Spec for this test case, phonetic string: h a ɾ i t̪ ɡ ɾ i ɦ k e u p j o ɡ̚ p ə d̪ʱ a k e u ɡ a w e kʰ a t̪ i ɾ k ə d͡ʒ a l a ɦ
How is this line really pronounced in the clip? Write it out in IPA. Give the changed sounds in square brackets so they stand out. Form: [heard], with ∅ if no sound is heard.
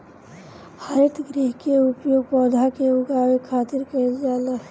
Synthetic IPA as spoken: h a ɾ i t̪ ɡ ɾ i ɦ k e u p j o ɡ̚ p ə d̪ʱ a k e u ɡ a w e kʰ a t̪ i ɾ k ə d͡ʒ a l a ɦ